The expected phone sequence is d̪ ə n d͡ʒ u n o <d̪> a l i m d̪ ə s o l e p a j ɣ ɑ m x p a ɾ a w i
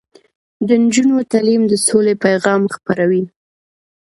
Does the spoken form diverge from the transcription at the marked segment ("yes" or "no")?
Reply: yes